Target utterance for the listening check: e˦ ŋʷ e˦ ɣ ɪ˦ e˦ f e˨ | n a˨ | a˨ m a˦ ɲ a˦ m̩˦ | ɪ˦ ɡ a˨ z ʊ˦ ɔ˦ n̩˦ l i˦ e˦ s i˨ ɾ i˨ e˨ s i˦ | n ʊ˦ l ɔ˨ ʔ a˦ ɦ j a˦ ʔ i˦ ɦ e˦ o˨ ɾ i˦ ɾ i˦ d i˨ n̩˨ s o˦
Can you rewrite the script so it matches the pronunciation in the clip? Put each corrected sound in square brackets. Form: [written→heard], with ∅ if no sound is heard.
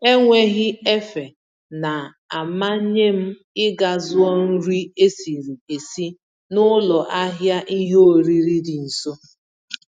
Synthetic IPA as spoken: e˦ ŋʷ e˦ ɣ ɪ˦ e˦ f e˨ | n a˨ | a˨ m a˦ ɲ [a˦→e˦] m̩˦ | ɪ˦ ɡ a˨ z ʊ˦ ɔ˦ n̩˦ [l→ɾ] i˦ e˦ s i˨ ɾ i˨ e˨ s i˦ | n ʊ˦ l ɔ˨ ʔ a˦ ɦ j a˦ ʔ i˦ ɦ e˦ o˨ ɾ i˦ ɾ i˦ d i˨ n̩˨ s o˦